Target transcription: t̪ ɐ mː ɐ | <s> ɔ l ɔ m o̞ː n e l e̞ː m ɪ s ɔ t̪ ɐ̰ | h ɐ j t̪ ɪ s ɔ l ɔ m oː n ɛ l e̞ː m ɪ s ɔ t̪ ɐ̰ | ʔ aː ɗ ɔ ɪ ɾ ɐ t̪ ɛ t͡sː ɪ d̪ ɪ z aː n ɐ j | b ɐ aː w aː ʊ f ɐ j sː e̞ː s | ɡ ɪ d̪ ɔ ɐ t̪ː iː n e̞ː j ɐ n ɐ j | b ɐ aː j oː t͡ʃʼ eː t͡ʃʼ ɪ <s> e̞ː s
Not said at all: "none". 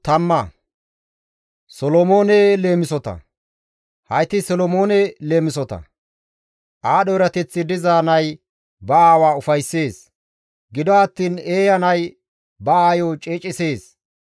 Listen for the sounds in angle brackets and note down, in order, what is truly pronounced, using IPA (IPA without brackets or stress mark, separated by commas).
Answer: s, s